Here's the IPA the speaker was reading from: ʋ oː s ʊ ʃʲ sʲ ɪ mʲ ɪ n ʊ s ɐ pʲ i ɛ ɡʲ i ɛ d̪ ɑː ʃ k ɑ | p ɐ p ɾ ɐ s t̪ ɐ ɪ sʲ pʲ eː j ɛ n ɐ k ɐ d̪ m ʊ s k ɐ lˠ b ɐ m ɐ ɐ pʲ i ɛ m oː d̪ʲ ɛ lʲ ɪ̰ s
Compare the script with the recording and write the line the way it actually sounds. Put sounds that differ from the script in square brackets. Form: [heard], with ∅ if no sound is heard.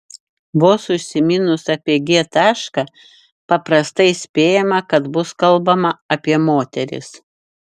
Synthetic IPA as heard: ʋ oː s ʊ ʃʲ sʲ ɪ mʲ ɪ n ʊ s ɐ pʲ i ɛ ɡʲ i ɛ [t̪] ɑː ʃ k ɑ | p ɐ p ɾ ɐ s t̪ ɐ ɪ sʲ pʲ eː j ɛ [m] ɐ k ɐ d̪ [b] ʊ s k ɐ lˠ b ɐ m ɐ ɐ pʲ i ɛ m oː [t̪ʲ] ɛ [ɾʲ] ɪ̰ s